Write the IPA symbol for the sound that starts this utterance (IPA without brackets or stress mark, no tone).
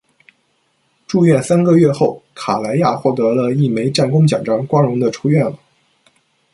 ʈ͡ʂ